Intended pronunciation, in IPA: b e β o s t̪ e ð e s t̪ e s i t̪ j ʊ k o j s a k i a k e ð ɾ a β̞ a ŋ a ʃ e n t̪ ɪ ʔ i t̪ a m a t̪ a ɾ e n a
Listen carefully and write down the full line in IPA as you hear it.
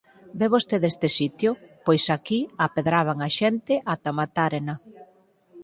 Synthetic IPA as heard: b e β o s t̪ e ð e s t̪ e s i t̪ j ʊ p o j s a k i a p e ð ɾ a β̞ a ŋ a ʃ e n t̪ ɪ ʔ a t̪ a m a t̪ a ɾ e n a